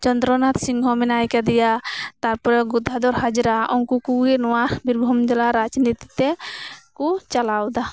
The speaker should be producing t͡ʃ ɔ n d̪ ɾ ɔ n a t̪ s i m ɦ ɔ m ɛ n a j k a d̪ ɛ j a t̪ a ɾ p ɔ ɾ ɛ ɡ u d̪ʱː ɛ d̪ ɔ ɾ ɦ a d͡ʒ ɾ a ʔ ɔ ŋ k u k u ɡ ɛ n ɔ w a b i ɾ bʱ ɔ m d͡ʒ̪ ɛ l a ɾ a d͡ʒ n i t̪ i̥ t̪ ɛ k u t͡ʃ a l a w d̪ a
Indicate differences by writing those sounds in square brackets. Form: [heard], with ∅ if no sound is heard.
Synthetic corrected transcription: t͡ʃ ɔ n d̪ ɾ ɔ n a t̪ s i [ŋ] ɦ ɔ m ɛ n a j k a d̪ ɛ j a t̪ a ɾ p ɔ ɾ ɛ ɡ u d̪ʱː [a] d̪ ɔ ɾ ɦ a d͡ʒ ɾ a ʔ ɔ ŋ k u k u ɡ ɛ n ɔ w a b i ɾ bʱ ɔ m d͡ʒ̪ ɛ l a ɾ a d͡ʒ n i t̪ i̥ t̪ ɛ k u t͡ʃ a l a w d̪ a